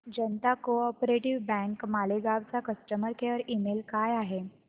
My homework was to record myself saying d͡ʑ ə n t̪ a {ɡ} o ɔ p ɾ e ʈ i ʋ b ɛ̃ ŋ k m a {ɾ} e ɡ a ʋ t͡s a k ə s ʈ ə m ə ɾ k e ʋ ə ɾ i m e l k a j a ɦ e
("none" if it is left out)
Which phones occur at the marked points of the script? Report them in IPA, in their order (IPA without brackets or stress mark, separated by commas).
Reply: k, l